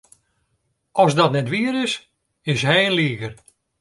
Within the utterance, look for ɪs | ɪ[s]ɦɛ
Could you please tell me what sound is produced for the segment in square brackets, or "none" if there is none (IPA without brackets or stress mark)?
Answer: s